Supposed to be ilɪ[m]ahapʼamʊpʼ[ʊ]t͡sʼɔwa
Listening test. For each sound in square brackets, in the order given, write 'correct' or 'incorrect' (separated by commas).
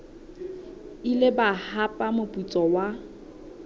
incorrect, incorrect